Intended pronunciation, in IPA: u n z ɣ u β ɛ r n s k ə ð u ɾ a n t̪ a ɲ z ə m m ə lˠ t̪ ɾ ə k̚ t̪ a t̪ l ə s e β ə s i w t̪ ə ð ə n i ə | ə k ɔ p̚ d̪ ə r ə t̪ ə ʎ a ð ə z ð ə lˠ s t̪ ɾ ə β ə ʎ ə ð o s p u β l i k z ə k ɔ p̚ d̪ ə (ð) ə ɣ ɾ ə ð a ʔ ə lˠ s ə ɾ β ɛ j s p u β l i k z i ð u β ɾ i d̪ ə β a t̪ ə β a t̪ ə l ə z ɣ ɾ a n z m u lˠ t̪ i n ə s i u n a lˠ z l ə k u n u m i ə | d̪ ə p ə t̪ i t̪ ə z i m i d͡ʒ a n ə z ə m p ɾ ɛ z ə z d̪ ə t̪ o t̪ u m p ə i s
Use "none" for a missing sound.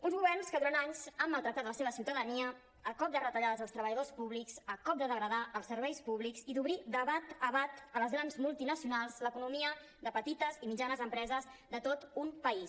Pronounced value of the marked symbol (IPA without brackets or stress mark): ð